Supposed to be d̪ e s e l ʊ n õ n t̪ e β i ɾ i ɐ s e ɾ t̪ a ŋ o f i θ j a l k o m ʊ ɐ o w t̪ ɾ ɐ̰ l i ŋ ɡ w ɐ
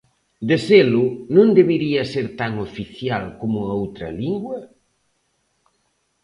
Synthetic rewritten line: d̪ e s e l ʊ n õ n d̪ e β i ɾ i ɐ s e ɾ t̪ a ŋ o f i θ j a l k o m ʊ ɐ o w t̪ ɾ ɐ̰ l i ŋ ɡ w ɐ